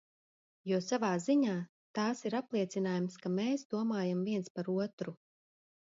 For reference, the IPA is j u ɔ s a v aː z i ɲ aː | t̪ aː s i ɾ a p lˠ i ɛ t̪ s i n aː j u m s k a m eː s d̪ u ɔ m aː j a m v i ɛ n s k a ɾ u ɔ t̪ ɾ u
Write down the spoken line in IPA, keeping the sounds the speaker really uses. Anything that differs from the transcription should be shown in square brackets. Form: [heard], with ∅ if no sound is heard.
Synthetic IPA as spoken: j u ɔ s a v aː z i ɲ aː | t̪ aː s i ɾ a p lˠ i ɛ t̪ s i n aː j u m s k a m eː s d̪ u ɔ m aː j a m v i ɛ n s [p] a ɾ u ɔ t̪ ɾ u